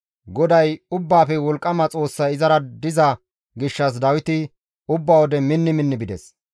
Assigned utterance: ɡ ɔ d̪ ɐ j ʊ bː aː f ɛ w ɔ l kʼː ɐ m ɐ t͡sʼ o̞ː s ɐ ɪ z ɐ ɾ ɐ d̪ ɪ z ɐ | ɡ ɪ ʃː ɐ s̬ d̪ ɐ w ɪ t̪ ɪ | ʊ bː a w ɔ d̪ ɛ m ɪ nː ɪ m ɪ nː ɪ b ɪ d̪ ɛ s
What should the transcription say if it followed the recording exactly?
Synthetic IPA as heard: ɡ ɔ d̪ ɐ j ʊ bː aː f ɛ w ɔ l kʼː ɐ m ɐ t͡sʼ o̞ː sː ɐ ɪ z ɐ ɾ ɐ d̪ ɪ z ɐ | ɡ ɪ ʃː ɐ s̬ d̪ ɐ w ɪ t̪ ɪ | ʊ bː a w ɔ d̪ ɛ m ɪ nː ɪ m ɪ nː ɪ b ɪ d̪ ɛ s